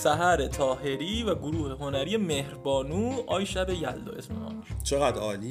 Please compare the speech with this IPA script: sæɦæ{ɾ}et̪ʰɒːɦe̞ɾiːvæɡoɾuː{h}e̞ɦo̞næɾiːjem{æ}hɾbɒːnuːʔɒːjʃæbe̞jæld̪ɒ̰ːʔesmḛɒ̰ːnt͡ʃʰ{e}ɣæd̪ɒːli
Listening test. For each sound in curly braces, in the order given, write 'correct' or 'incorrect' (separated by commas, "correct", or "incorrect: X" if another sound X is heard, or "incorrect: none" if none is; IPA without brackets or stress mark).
correct, correct, incorrect: e, correct